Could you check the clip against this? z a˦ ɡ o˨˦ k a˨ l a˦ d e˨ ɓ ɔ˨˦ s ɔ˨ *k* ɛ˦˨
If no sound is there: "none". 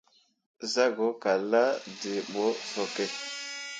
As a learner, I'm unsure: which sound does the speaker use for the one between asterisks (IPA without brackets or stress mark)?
k